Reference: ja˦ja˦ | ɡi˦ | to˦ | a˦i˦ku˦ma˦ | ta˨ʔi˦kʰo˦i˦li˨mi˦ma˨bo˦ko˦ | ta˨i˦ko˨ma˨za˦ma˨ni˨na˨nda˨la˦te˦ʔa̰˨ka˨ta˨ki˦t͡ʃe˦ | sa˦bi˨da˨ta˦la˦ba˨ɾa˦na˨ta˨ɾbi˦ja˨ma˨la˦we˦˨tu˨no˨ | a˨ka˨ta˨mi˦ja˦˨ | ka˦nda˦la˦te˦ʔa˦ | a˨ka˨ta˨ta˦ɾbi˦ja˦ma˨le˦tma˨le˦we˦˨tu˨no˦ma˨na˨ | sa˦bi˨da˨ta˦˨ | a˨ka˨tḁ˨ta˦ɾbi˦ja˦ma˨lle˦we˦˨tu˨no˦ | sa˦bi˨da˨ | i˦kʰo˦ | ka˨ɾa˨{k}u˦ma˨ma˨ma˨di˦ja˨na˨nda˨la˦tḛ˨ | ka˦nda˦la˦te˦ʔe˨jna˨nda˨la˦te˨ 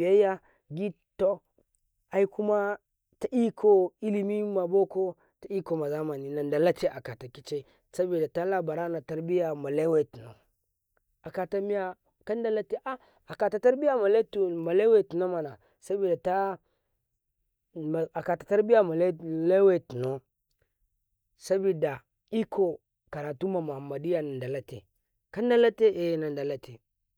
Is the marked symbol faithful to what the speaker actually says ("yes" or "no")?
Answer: no